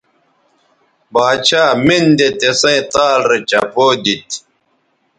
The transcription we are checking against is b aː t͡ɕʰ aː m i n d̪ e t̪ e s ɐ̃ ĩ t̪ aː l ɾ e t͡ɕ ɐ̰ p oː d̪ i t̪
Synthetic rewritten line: b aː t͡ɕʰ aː m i n d̪ e t̪ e s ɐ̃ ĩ t̪ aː l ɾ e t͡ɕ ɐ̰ p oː d̪ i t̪